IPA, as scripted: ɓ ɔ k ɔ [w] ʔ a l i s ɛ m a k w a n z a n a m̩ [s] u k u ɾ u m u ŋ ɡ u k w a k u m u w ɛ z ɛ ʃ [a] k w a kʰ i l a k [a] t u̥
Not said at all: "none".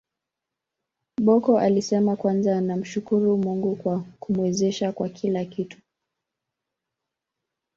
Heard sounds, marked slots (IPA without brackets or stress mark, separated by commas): none, ʃ, a, i